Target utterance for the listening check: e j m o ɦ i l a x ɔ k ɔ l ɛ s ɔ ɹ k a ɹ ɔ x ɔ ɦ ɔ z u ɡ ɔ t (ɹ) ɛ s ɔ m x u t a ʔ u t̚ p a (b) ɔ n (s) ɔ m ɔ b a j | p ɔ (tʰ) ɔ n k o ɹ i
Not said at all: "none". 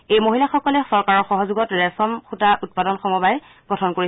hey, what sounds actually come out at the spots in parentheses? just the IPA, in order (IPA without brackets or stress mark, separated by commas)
ɹ, d, x, tʰ